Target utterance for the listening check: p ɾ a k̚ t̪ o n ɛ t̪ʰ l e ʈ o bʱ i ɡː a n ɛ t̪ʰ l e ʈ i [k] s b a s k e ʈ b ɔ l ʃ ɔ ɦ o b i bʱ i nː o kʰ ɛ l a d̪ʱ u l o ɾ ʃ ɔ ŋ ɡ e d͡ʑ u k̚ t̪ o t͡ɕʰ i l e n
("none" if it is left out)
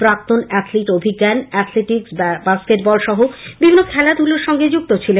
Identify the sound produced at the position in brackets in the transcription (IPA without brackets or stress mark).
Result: k